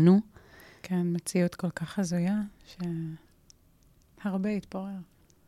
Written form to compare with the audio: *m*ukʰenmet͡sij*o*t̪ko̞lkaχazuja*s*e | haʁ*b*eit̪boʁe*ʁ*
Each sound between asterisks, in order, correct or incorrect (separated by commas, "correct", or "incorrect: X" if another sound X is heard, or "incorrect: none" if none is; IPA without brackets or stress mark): incorrect: n, incorrect: u, incorrect: ʃ, correct, correct